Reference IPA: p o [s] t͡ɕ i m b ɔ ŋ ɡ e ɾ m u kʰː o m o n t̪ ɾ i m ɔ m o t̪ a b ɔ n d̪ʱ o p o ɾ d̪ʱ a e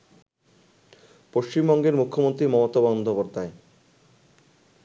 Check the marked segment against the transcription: incorrect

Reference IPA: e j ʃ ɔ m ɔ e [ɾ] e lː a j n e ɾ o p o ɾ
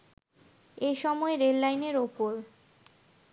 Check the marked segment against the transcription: correct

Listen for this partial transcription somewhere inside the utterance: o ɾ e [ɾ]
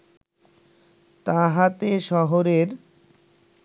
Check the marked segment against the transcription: correct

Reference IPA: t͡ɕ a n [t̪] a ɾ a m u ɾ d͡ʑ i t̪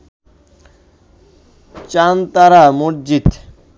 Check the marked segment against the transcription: correct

